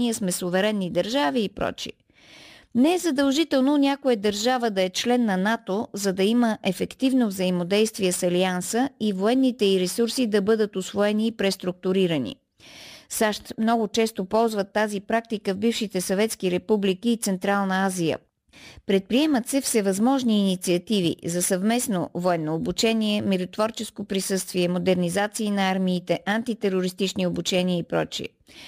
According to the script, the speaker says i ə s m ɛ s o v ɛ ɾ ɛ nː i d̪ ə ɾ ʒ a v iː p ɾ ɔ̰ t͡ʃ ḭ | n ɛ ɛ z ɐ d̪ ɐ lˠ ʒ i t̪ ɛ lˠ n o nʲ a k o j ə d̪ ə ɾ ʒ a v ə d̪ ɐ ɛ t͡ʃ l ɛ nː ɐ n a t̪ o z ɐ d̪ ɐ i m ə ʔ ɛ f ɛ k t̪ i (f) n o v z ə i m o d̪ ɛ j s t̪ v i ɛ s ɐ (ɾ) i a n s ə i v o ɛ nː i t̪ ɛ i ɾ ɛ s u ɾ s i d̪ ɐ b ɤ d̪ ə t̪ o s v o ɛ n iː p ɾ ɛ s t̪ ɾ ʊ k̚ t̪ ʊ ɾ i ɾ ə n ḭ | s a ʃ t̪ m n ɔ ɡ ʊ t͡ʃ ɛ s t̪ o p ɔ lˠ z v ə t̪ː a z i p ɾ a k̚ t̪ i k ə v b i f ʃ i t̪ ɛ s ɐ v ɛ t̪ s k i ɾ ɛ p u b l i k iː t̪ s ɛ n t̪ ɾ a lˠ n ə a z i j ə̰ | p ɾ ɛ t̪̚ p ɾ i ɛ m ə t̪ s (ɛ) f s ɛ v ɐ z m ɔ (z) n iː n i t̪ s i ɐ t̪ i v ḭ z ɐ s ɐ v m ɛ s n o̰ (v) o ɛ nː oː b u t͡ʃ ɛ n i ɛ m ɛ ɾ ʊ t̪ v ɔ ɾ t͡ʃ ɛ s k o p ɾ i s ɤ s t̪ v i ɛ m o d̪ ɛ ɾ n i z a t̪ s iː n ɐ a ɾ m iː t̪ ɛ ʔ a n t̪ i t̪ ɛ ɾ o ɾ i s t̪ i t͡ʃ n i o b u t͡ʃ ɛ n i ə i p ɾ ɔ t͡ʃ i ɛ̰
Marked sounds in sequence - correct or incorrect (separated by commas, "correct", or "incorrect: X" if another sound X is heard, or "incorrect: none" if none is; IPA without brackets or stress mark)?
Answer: incorrect: v, incorrect: l, correct, incorrect: ʒ, correct